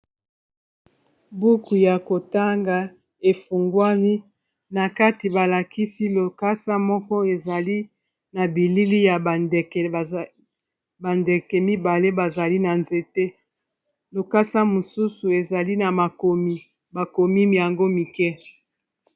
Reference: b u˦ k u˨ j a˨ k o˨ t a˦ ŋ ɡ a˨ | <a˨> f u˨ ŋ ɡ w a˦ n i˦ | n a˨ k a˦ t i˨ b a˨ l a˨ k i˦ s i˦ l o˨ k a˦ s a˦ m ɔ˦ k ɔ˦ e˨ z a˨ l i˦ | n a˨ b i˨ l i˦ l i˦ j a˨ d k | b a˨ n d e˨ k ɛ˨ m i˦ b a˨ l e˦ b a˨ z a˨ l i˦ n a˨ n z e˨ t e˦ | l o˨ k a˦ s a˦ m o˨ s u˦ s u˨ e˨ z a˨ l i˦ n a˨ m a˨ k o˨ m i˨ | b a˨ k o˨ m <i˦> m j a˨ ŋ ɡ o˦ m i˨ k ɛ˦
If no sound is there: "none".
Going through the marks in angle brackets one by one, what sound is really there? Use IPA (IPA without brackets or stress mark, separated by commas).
e˨, i˦